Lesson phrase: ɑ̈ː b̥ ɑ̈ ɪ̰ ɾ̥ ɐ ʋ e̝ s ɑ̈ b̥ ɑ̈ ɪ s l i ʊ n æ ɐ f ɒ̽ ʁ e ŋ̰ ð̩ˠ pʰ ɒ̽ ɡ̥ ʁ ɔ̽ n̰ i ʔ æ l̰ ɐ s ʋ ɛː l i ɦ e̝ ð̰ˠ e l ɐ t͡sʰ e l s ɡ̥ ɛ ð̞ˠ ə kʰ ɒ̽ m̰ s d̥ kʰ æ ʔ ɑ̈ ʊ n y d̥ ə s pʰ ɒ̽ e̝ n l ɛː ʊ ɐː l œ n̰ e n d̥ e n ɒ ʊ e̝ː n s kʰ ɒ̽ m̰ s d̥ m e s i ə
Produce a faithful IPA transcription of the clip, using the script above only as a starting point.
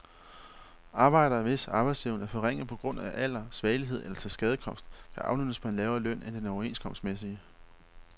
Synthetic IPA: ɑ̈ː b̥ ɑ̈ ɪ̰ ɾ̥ ɐ ʋ e̝ s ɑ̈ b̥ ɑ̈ ɪ s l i ʊ n æ ɐ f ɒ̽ ʁ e ŋ̰ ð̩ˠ pʰ ɒ̽ ɡ̥ ʁ ɔ̽ n̰ æ ʔ æ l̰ ɐ s ʋ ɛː l i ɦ e̝ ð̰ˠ e l ɐ t͡sʰ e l s ɡ̥ ɛ ð̞ˠ ə kʰ ɒ̽ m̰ s d̥ kʰ æ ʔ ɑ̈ ʊ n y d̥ ə s pʰ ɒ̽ e̝ n l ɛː ʊ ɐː l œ n̰ e n d̥ e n ɒ ʊ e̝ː n s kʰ ɒ̽ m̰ s d̥ m e s i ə